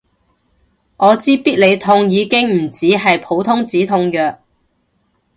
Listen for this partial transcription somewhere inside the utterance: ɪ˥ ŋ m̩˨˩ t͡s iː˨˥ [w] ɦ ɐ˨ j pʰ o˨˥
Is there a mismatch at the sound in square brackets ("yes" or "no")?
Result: yes